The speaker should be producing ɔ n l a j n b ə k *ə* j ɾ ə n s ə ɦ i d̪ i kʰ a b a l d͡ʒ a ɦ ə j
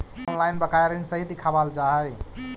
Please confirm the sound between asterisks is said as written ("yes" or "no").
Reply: no